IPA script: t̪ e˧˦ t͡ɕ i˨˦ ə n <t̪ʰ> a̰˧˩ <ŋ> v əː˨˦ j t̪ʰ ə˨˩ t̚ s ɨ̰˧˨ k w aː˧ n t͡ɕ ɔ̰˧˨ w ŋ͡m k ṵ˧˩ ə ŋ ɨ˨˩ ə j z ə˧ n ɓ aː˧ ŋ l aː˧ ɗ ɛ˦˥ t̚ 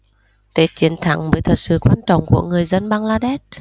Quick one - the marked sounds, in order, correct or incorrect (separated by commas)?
correct, correct